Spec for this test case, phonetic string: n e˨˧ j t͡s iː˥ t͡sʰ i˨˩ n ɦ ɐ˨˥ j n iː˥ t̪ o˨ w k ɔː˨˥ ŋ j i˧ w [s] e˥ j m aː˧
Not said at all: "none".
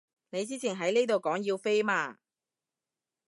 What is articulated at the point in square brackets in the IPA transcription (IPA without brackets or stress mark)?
f